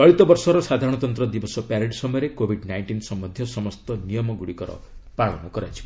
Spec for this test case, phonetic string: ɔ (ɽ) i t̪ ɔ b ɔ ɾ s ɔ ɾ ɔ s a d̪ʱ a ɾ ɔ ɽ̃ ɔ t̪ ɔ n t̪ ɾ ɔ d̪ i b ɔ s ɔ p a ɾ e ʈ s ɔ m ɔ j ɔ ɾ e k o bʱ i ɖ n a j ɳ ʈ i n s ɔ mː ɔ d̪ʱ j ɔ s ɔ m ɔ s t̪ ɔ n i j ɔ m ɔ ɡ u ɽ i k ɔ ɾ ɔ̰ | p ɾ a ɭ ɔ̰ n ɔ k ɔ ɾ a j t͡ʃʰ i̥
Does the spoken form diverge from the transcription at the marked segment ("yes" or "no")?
yes